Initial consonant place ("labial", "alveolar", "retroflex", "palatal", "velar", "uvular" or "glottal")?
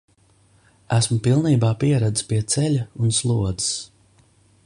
alveolar